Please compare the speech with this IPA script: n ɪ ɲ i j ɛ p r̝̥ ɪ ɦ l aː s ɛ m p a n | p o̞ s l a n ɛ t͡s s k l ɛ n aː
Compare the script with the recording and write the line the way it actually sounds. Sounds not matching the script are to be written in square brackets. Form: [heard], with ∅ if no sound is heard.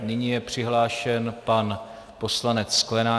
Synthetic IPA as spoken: n ɪ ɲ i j ɛ p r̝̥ ɪ ɦ l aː [ʃ] ɛ [n] p a n | p o̞ s l a n ɛ t͡s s k l ɛ n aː

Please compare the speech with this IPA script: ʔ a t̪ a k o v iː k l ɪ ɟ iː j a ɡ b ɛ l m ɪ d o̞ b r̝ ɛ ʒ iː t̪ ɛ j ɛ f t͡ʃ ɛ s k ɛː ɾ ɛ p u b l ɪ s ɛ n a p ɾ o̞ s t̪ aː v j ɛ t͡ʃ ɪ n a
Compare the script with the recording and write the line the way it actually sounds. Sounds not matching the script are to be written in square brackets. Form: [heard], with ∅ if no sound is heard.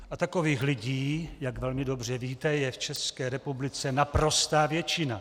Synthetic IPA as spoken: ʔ a t̪ a k o v iː [x] l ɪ ɟ iː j a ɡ [v] ɛ l m ɪ d o̞ b r̝ ɛ [v] iː t̪ ɛ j ɛ f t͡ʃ ɛ s k ɛː ɾ ɛ p u b l ɪ [t͡s] ɛ n a p ɾ o̞ s t̪ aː v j ɛ t͡ʃ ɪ n a

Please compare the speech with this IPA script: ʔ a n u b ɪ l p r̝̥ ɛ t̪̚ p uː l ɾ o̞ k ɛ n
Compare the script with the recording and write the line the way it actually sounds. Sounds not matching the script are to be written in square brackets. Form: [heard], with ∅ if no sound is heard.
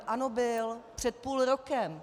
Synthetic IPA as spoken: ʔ a n [o] b ɪ l p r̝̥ ɛ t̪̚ p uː l ɾ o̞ k ɛ [m]

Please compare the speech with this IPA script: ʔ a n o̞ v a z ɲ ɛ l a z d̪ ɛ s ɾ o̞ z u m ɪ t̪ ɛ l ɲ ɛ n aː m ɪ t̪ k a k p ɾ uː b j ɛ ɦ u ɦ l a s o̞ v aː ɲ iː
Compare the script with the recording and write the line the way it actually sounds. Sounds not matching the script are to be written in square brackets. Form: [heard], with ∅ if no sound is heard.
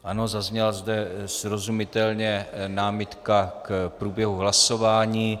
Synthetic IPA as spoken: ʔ a n o̞ [z] a z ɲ ɛ l a z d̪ ɛ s ɾ o̞ z u m ɪ t̪ ɛ l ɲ ɛ n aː m ɪ t̪ k a k p ɾ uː b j ɛ ɦ u ɦ l a s o̞ v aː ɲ iː

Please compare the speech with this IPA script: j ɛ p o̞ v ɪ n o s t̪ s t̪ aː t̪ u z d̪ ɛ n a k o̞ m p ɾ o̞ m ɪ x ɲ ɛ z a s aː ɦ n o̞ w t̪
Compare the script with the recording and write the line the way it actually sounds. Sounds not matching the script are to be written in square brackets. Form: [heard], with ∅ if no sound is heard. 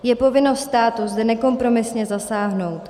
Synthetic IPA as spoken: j ɛ p o̞ v ɪ n o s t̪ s t̪ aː t̪ u z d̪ ɛ n [ɛ] k o̞ m p ɾ o̞ m ɪ [s] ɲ ɛ z a s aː ɦ n o̞ w t̪

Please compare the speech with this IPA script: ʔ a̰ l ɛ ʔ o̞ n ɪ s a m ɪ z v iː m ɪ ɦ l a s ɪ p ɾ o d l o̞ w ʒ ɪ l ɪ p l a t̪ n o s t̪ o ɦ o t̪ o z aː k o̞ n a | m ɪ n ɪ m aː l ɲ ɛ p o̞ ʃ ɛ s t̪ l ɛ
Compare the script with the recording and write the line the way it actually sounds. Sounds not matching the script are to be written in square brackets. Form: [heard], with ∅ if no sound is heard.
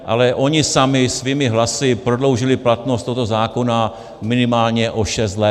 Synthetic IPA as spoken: ʔ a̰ l ɛ ʔ o̞ [ɲ] ɪ s a m ɪ [s] v iː m ɪ ɦ l a s ɪ p ɾ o d l o̞ w ʒ ɪ l ɪ p l a t̪ n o s t̪ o ɦ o t̪ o z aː k o̞ n a | m ɪ n ɪ m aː l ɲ ɛ [ʔ] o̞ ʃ ɛ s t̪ l ɛ

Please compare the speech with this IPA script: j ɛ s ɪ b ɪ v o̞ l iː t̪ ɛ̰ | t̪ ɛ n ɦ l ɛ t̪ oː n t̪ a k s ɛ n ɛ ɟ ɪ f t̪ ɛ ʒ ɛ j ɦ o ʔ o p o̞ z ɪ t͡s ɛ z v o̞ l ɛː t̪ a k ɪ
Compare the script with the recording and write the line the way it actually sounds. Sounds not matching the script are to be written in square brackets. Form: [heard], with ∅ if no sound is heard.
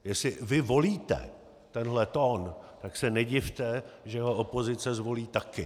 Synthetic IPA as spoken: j ɛ s ɪ [v] ɪ v o̞ l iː t̪ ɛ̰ | t̪ ɛ n ɦ l ɛ t̪ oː n t̪ a k s ɛ n ɛ ɟ ɪ f t̪ ɛ ʒ ɛ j ɦ o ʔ o p o̞ z ɪ t͡s ɛ z v o̞ l [iː] t̪ a k ɪ

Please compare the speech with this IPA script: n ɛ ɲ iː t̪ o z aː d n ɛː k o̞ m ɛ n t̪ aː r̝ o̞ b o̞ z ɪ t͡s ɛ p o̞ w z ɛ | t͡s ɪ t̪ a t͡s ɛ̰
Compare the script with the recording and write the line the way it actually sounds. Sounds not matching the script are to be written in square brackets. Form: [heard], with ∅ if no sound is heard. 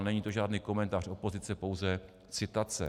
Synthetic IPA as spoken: n ɛ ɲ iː t̪ o [ʒ] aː d n [iː] k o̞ m ɛ n t̪ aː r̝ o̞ [p] o̞ z ɪ t͡s ɛ p o̞ w z ɛ | t͡s ɪ t̪ a t͡s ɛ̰

